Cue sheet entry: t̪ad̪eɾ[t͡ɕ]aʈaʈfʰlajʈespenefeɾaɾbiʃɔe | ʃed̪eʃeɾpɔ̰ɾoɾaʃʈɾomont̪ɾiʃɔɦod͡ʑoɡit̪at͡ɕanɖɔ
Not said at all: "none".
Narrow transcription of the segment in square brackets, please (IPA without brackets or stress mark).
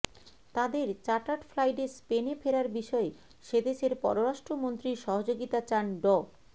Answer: t͡ɕ